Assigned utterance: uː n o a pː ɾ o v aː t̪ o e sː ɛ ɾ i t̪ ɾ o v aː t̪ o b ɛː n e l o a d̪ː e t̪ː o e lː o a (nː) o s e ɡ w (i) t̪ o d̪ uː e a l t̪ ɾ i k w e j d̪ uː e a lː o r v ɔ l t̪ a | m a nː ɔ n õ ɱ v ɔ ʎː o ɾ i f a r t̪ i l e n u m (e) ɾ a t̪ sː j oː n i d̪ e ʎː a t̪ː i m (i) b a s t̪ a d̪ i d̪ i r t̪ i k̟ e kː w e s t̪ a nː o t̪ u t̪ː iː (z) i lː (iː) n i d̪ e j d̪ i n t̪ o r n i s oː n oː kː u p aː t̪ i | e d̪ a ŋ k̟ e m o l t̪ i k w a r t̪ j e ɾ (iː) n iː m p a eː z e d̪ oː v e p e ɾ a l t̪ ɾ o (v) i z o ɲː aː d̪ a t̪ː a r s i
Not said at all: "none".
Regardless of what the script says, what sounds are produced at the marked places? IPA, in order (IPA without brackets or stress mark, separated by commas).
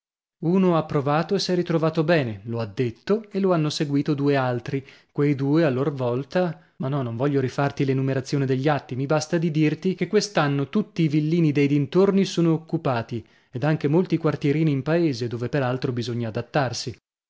nː, iː, e, i, v, iː, iː, b